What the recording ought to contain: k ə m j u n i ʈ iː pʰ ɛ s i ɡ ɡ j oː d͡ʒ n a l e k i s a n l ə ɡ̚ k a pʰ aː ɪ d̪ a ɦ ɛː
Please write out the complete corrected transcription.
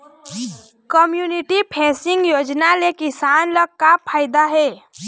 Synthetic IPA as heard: k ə m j u n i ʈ i pʰ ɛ s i ŋ ɡ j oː d͡ʒ n a l e k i s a n l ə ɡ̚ k a pʰ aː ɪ d̪ a ɦ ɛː